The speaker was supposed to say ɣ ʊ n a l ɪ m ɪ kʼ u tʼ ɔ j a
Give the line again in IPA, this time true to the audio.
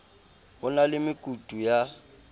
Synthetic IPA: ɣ ʊ n a l ɪ m ɪ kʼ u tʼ u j a